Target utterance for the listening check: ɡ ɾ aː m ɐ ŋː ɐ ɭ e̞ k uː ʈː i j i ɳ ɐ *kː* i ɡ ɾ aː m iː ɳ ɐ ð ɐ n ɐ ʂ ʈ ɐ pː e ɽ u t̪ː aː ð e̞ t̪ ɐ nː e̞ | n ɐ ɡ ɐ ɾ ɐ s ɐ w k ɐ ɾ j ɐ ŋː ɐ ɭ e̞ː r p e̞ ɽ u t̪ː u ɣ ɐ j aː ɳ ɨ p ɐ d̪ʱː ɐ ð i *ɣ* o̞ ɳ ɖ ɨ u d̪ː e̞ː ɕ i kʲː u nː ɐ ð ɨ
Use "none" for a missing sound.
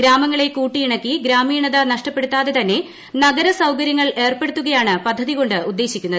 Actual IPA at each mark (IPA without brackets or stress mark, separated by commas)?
kː, ɣ